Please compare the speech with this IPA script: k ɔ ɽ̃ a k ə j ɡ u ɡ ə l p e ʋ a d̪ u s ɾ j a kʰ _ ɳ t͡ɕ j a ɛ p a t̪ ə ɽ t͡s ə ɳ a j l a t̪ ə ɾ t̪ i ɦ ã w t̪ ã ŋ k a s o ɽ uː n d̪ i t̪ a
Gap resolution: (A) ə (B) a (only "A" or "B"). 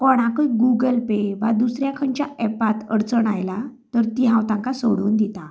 A